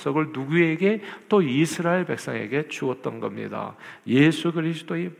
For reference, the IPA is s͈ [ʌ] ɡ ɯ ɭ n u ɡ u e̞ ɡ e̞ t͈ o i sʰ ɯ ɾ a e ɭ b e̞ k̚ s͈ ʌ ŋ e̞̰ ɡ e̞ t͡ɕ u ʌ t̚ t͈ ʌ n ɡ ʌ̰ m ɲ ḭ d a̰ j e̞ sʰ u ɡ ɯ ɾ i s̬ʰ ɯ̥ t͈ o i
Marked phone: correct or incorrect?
correct